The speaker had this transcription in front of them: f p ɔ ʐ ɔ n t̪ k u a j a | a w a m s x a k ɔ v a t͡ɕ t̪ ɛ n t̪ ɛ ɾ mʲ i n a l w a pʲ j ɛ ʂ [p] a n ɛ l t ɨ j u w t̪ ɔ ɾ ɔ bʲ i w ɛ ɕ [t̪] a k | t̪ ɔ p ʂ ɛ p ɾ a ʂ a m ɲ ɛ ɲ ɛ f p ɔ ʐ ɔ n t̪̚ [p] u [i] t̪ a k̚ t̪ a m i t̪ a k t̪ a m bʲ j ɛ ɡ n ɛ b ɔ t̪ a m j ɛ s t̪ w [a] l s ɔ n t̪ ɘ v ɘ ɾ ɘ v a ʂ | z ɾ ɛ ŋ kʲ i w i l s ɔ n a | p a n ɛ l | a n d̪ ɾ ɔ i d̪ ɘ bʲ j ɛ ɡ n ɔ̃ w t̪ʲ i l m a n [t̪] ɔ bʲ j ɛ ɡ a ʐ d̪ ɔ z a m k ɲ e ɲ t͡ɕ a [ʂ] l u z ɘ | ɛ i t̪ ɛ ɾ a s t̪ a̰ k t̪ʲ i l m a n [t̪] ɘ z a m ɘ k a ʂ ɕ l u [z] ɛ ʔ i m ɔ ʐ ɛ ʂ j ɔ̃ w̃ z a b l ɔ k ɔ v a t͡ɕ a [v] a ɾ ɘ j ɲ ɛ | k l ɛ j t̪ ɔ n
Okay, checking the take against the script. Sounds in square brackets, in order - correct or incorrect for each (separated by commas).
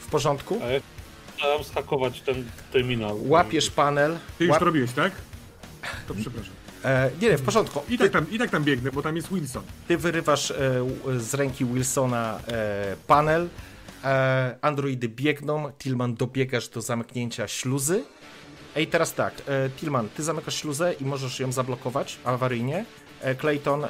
correct, correct, incorrect, correct, incorrect, incorrect, incorrect, correct, correct, correct